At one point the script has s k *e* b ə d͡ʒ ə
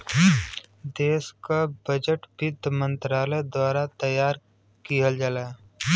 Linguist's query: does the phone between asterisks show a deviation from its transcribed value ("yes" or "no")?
yes